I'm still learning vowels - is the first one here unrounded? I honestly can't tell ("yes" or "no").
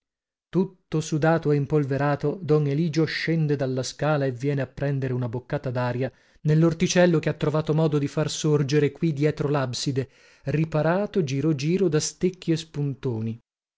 no